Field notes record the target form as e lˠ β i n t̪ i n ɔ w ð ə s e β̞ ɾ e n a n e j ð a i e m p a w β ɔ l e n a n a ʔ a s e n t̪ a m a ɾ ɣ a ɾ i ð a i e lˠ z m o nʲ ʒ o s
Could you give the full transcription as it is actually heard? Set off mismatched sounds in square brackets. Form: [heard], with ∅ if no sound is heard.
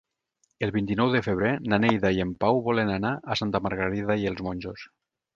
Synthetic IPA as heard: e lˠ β i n t̪ i n ɔ w ð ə [f] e β̞ ɾ e n a n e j ð a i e m p a w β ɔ l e n a n a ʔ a s [a] n t̪ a m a ɾ ɣ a ɾ i ð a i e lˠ z m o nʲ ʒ o s